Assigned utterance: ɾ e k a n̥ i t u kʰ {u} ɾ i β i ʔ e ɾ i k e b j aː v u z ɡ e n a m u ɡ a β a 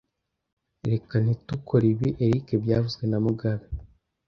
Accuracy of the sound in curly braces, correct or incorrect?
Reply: incorrect